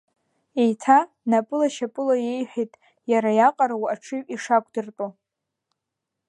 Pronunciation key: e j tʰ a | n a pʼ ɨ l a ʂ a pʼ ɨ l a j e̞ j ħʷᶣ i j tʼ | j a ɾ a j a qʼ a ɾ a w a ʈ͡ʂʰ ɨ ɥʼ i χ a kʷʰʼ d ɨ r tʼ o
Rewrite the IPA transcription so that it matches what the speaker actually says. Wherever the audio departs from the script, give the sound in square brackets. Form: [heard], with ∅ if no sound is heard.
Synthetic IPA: e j tʰ a | n a pʼ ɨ l a [ʃ] a pʼ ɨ l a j e̞ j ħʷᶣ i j tʼ | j a ɾ a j a qʼ a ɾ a w a ʈ͡ʂʰ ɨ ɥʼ i [ʂ] a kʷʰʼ d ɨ r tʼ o